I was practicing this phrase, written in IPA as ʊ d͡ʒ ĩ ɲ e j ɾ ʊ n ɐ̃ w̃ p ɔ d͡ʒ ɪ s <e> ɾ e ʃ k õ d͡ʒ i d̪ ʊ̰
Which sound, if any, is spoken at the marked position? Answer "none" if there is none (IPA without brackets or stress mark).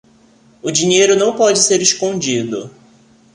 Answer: e